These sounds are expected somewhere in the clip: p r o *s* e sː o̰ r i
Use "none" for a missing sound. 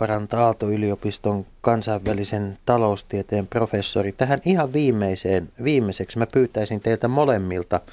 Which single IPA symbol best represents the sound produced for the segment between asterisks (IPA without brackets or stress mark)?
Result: f